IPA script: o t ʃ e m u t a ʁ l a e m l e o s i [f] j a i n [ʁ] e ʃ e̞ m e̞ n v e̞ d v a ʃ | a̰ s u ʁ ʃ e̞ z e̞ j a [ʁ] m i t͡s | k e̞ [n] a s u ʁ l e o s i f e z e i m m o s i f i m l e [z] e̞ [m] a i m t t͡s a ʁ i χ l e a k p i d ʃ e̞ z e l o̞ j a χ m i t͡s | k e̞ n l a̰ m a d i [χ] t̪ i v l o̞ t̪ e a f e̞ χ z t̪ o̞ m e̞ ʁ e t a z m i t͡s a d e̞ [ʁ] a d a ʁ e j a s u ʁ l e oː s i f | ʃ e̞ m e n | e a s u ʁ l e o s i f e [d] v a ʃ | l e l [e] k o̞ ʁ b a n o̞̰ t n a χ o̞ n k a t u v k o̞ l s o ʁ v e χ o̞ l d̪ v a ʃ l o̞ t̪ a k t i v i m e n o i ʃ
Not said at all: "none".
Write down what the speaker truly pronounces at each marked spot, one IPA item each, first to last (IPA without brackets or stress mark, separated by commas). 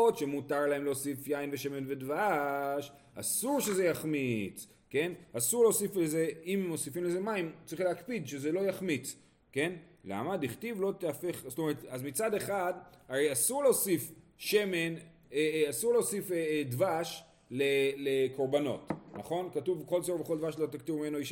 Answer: f, v, χ, n, z, m, χ, χ, d, e